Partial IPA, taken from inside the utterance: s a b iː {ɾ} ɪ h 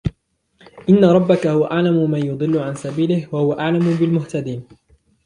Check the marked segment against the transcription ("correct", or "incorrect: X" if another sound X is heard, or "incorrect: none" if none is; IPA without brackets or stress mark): incorrect: l